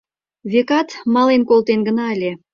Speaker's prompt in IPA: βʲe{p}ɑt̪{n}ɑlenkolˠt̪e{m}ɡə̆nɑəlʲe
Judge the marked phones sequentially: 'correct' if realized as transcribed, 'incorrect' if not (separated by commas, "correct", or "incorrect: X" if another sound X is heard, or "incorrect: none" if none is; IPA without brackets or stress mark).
incorrect: k, incorrect: m, incorrect: n